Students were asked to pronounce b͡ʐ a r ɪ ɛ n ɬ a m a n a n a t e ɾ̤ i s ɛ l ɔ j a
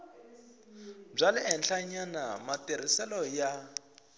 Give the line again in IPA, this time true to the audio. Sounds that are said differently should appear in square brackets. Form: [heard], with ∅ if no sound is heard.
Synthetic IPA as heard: b͡ʐ a [l] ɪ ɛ n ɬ a [ɲ] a n a [m] a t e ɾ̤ i s ɛ l ɔ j a